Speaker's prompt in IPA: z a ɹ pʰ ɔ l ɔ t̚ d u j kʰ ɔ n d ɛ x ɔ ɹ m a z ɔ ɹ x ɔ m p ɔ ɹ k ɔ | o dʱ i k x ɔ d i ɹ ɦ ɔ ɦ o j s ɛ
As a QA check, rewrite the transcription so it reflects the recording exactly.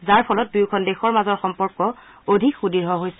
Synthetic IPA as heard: z a ɹ pʰ ɔ l ɔ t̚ d u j kʰ ɔ n d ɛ x ɔ ɹ m a z ɔ ɹ x ɔ m p ɔ ɹ k ɔ | o dʱ i k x u d i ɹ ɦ ɔ ɦ o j s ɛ